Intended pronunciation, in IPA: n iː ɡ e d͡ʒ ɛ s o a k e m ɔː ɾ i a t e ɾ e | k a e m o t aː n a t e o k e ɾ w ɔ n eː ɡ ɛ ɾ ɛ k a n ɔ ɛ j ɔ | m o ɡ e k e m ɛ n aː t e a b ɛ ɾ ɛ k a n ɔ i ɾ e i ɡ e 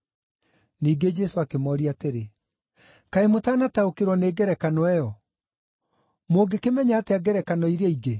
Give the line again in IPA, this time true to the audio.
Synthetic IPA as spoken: n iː ɡ e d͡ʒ ɛ s o a k e m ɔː ɾ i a t e ɾ e | k a e m o t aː n a t a o k e ɾ w ɔ n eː ɡ ɛ ɾ ɛ k a n ɔ ɛ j ɔ | m o ɡ e k e m ɛ ɲ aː t e a ɡ ɛ ɾ ɛ k a n ɔ i ɾ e i ɡ e